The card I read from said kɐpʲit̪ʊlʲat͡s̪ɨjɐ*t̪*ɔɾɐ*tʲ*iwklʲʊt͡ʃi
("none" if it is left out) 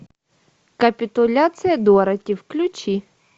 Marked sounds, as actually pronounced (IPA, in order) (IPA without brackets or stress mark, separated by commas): d̪, tʲ